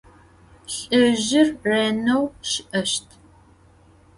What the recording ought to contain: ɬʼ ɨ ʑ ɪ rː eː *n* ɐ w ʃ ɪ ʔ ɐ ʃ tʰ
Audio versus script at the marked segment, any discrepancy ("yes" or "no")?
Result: no